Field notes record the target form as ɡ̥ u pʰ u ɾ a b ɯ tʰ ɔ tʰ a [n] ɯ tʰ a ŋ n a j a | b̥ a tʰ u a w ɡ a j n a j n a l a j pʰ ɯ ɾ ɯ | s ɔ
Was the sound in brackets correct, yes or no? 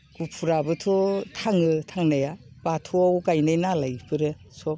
no